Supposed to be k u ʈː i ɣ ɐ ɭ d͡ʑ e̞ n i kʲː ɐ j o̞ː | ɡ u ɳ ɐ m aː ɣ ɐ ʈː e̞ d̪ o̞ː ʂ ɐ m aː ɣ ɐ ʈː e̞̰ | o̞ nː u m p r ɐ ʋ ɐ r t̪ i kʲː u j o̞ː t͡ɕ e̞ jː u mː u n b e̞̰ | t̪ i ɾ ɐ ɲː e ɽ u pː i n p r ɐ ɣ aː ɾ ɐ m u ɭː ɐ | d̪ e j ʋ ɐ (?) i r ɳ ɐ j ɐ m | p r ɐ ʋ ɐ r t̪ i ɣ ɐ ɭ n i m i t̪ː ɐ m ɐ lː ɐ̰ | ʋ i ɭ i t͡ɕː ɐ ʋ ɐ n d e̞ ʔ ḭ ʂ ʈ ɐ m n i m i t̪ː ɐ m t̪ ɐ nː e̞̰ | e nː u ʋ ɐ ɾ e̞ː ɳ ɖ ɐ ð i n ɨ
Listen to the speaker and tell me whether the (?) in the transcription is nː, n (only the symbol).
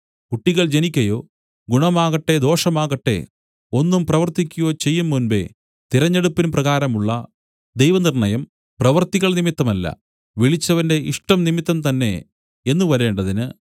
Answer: n